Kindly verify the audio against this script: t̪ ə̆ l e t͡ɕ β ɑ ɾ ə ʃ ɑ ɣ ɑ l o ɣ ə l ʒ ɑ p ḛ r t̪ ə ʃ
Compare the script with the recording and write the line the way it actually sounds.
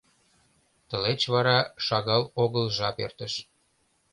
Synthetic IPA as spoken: t̪ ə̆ l e t͡ɕ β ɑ ɾ ɑ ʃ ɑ ɣ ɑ l o ɣ ə l ʒ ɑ p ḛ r t̪ ə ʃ

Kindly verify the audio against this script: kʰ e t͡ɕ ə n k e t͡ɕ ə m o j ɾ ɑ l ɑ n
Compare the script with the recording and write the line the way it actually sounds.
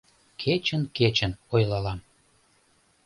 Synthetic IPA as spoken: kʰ e t͡ɕ ə n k e t͡ɕ ə n o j l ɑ l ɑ m

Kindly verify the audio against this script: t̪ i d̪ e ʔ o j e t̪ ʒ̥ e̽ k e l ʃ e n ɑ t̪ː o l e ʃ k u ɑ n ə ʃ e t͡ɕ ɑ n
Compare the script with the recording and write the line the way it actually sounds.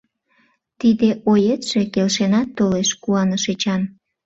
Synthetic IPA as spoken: t̪ i d̪ e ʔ o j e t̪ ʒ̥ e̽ k e l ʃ e n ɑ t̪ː o l e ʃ k u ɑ n ə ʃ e t͡ɕ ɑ n

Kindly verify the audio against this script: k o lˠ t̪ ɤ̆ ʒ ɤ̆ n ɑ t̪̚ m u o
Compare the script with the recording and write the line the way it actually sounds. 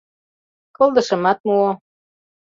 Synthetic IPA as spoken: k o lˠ d̪ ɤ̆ ʃ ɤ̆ m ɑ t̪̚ m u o

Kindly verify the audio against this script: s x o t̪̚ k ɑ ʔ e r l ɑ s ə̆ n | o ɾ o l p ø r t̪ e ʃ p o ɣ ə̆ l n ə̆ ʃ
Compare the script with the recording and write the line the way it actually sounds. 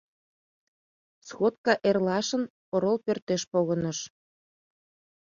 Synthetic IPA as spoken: s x o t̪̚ k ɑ ʔ e r l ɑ ʃ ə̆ n | o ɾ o l p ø r t̪ e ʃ p o ɣ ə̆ n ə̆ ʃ

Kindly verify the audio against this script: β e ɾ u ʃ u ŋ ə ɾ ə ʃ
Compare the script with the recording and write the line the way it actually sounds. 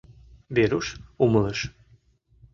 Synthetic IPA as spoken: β e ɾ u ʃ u m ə l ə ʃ

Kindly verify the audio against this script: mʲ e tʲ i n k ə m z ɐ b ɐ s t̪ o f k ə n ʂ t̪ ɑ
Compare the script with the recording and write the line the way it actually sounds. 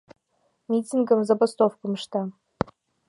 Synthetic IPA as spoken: mʲ i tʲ i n ɡ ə m z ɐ b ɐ s t̪ o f k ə m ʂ t̪ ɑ

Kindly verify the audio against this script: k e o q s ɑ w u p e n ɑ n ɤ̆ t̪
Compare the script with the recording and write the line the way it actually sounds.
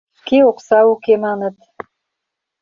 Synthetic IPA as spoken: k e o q s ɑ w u k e m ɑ n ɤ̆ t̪

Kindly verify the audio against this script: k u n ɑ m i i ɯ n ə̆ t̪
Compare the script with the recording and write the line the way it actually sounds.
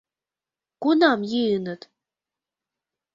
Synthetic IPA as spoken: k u n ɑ m j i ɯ n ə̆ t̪

